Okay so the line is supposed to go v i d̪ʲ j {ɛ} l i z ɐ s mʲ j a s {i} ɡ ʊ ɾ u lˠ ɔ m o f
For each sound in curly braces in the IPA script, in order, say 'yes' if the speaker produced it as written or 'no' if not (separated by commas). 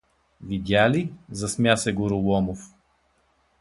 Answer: no, no